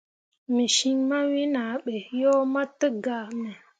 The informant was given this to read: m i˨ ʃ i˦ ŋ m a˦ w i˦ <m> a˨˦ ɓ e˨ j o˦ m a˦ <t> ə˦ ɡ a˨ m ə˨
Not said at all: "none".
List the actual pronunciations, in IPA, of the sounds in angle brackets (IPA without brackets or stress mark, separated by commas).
n, t